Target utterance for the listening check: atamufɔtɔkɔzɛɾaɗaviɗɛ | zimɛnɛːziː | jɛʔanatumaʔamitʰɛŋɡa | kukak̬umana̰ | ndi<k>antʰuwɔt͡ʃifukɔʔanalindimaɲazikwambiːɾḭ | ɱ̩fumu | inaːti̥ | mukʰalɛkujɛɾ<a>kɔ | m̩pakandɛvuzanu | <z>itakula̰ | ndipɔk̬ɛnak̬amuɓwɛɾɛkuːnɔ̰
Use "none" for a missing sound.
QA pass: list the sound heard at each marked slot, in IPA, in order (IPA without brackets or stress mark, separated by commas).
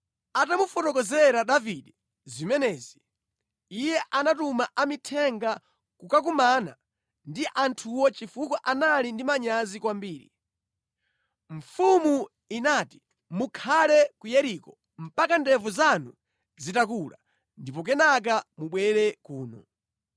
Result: ʔ, i, z